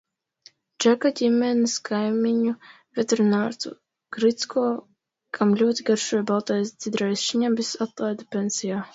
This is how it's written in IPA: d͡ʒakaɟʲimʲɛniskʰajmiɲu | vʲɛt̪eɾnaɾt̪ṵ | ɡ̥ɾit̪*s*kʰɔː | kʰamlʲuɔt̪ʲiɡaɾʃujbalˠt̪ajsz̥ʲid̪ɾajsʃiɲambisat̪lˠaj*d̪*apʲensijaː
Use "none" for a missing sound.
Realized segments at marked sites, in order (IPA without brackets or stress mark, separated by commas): s, d̪